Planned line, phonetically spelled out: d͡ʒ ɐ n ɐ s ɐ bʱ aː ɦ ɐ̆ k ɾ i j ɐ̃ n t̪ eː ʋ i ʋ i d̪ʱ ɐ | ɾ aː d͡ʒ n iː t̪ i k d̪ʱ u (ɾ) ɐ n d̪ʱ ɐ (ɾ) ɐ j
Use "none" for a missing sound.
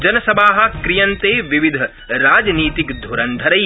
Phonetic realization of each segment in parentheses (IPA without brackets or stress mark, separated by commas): ɾ, ɾ